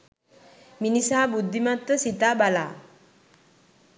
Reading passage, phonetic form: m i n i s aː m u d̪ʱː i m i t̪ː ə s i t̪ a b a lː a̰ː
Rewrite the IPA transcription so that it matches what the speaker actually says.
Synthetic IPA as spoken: m i n i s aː b u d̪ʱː i m a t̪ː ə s i t̪ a b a l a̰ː

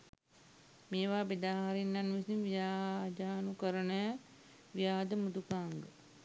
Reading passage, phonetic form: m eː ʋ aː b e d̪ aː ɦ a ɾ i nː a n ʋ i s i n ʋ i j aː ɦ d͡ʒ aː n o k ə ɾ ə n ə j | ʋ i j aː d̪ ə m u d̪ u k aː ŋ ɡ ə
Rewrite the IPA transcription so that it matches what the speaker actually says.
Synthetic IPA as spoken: m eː ʋ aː b e d̪ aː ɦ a ɾ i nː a n ʋ i s i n ʋ i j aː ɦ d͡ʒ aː n u k ə ɾ ə n ə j | ʋ i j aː d̪ ə m u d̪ u k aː ŋ ɡ ə

